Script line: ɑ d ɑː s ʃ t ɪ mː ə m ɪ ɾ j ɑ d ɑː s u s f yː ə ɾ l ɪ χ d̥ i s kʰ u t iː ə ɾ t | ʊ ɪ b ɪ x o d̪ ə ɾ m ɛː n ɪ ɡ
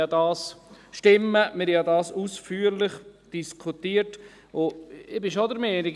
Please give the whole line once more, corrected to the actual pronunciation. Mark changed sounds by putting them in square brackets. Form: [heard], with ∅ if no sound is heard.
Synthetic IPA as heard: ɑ d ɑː s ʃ t ɪ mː ə m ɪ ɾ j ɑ d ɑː s u s f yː ə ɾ l ɪ χ d̥ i s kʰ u t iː ə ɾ t | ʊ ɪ b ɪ [ʃ] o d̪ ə ɾ m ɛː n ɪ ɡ